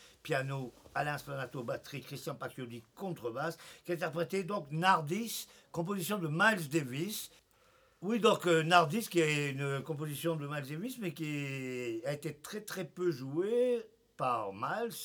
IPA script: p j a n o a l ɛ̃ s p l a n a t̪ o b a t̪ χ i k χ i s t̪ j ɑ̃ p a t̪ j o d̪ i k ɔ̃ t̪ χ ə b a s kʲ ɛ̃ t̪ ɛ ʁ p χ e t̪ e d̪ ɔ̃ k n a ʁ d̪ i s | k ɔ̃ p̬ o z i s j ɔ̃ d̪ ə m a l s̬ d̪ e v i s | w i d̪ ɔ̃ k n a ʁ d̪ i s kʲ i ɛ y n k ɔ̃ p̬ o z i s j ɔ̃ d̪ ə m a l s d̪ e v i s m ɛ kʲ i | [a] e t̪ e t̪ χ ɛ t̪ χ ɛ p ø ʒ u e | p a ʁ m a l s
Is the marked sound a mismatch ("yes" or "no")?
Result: no